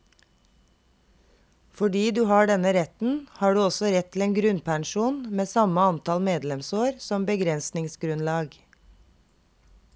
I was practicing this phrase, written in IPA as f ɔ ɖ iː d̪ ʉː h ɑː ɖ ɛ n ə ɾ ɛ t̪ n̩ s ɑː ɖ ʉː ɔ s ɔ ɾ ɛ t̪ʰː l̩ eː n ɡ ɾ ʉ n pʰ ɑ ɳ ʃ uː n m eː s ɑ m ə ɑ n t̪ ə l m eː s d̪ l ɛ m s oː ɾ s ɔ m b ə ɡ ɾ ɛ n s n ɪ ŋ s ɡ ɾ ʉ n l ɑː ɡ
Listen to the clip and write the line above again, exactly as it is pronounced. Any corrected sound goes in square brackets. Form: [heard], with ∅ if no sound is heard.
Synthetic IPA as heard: f ɔ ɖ iː d̪ ʉː h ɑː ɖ ɛ n ə ɾ ɛ t̪ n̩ [h] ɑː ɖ ʉː ɔ s ɔ ɾ ɛ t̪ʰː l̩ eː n ɡ ɾ ʉ n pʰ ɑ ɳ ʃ uː n m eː s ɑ m ə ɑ n t̪ [ɑ] l m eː [∅] d̪ l ɛ m s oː ɾ s ɔ m b ə ɡ ɾ ɛ n s n ɪ ŋ s ɡ ɾ ʉ n l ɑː ɡ